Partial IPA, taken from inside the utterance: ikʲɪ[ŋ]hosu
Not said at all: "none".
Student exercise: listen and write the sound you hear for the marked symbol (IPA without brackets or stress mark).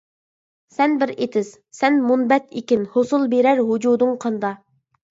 n